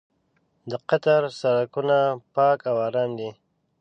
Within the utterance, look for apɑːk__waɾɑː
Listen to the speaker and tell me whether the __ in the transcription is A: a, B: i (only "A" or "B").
A